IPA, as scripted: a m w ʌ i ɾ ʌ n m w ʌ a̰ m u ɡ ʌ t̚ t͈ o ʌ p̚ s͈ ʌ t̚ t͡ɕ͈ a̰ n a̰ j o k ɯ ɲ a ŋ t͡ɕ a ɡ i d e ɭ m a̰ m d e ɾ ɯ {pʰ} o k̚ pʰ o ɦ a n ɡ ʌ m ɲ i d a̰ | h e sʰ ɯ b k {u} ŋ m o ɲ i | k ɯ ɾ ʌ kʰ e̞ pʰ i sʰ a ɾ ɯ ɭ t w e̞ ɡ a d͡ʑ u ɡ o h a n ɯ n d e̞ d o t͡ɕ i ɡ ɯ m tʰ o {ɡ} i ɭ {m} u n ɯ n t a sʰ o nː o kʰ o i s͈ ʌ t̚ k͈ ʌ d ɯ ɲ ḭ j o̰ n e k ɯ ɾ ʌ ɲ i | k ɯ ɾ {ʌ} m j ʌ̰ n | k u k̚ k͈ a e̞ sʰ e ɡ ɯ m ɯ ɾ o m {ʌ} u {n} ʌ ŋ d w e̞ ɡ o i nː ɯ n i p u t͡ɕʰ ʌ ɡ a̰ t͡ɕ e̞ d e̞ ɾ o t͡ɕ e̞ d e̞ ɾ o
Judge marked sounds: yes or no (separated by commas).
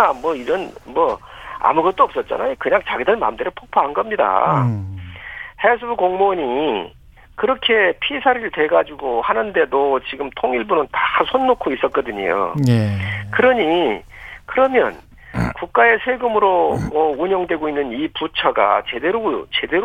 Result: yes, no, no, no, yes, yes, no